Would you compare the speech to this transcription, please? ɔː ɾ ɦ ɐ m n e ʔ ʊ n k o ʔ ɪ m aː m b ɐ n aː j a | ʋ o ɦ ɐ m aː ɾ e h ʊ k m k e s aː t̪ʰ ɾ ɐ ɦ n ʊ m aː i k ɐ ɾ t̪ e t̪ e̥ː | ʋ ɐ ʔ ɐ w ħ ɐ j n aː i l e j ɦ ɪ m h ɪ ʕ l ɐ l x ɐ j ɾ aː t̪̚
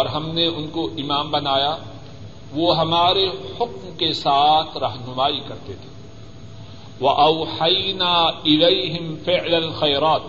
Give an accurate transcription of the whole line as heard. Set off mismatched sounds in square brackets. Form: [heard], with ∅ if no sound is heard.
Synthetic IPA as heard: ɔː ɾ ɦ ɐ m n e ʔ ʊ n k o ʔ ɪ m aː m b ɐ n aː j a | ʋ o ɦ ɐ m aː ɾ e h ʊ k m k e s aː t̪ʰ ɾ ɐ ɦ n ʊ m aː i k ɐ ɾ t̪ e [t̪ʰ] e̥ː | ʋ ɐ ʔ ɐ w ħ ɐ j n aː [ɪ] l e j ɦ ɪ m [f] ɪ ʕ l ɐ l x ɐ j ɾ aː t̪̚